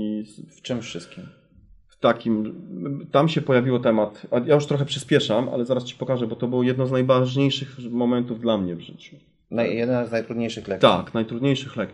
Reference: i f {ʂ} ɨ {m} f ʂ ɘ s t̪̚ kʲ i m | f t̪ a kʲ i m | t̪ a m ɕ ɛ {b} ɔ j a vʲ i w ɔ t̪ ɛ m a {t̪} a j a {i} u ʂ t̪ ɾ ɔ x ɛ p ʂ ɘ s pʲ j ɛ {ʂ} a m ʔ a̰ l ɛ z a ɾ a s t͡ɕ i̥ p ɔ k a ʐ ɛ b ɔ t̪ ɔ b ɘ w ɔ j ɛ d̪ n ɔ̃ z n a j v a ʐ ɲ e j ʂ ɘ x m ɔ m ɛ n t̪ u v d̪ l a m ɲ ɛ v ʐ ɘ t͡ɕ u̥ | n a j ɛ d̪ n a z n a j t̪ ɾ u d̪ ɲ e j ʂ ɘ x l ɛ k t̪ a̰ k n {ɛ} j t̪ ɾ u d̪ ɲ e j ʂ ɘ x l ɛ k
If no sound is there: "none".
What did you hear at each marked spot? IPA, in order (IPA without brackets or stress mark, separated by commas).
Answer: t͡ʂ, m, p, t̪, j, ʂ, a